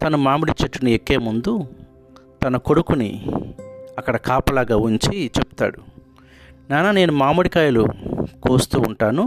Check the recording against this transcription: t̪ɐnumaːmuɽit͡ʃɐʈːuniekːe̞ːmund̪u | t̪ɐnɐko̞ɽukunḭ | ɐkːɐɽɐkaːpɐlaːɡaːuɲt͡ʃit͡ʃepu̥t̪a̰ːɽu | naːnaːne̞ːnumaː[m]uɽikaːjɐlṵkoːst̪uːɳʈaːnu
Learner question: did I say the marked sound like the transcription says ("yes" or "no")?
yes